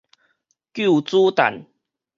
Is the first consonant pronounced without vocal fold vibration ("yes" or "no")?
yes